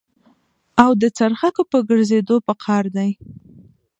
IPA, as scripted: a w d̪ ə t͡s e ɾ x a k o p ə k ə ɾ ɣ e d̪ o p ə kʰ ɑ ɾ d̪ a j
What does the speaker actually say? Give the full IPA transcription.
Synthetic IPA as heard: a w d̪ ə t͡s a ɾ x a k o p ə ɡ ə ɾ z e d̪ o p ə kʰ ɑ ɾ d̪ a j